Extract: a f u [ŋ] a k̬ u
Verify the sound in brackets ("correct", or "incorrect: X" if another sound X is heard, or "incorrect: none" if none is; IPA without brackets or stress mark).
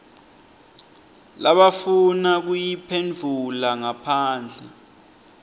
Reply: incorrect: n